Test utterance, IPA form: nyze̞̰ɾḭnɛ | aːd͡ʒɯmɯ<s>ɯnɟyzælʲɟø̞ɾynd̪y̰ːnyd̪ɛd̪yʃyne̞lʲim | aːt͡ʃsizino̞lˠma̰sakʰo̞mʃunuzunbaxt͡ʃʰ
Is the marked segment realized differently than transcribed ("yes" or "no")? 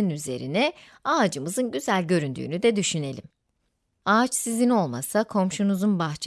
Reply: yes